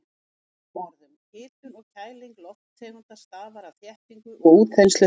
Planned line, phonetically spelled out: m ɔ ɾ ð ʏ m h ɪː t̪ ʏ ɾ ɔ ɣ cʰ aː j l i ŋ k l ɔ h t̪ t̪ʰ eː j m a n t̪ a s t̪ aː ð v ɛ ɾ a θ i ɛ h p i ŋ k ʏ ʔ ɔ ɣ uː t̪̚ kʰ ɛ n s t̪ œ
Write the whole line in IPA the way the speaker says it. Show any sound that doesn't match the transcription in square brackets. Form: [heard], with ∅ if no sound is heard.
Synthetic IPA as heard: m ɔ ɾ ð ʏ m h ɪː t̪ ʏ ɾ ɔ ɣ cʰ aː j l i ŋ k l ɔ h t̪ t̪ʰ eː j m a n t̪ a s t̪ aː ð v [a] ɾ a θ [j] ɛ h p i ŋ k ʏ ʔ ɔ ɣ uː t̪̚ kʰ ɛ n s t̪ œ